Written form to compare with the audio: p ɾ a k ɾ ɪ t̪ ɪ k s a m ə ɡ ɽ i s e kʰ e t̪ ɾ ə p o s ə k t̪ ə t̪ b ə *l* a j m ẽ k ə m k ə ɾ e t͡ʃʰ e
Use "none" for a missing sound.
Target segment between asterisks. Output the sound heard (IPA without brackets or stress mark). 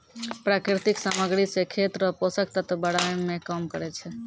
ɽ